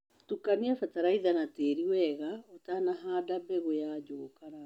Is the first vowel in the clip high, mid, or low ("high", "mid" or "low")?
high